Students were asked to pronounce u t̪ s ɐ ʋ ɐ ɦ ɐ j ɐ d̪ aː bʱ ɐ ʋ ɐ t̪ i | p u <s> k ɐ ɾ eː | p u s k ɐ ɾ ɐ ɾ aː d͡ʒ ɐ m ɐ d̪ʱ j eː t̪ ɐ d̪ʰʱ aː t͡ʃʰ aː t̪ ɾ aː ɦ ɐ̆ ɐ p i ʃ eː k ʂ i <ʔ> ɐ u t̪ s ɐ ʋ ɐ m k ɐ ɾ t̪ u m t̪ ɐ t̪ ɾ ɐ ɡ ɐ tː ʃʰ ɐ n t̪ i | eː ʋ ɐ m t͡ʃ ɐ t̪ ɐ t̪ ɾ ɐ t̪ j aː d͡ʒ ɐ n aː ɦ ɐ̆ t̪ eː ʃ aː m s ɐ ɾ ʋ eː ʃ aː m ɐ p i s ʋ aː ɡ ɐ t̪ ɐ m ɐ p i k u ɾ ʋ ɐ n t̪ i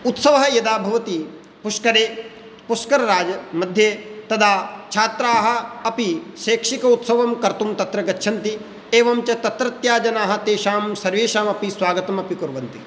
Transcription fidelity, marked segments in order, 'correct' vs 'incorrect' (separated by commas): incorrect, incorrect